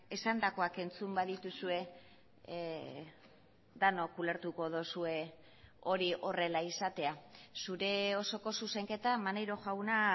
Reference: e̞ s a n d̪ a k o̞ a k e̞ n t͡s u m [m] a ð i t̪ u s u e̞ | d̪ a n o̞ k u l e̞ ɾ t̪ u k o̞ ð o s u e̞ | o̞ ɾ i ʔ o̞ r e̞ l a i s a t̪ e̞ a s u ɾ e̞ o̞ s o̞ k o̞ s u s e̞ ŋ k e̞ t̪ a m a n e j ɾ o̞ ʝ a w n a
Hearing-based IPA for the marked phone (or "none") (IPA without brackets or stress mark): b